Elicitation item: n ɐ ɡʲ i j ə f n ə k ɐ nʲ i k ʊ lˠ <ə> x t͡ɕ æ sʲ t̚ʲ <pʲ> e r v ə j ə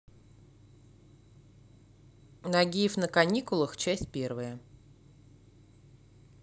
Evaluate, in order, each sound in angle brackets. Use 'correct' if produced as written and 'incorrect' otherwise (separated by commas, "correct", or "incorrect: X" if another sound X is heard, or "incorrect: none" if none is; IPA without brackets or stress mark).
correct, correct